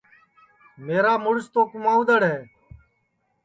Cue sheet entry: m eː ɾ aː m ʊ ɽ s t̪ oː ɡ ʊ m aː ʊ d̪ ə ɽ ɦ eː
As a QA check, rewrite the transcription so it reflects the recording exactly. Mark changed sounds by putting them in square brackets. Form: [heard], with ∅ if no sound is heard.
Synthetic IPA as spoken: m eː ɾ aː m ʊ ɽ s t̪ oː [k] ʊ m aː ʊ d̪ ə ɽ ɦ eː